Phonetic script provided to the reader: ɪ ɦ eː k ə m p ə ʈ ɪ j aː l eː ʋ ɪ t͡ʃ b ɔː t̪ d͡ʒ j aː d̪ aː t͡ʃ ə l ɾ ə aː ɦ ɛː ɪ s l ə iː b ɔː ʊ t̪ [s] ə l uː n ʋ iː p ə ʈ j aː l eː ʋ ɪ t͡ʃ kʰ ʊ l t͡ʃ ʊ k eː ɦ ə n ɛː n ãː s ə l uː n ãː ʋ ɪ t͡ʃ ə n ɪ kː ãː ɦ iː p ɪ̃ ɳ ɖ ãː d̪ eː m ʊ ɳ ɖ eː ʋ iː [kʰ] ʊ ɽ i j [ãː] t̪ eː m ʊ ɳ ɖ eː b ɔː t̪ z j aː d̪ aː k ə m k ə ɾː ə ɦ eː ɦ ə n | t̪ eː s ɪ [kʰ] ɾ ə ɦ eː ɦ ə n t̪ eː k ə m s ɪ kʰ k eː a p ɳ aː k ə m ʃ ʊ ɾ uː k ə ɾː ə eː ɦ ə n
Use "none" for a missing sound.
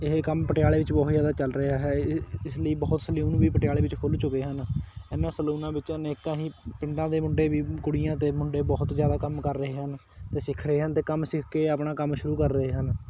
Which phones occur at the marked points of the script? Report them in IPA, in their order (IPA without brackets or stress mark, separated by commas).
s, k, ãː, kʰ